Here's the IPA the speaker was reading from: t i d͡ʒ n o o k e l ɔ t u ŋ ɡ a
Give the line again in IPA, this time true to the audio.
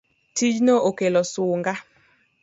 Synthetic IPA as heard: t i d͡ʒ n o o k e l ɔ s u ŋ ɡ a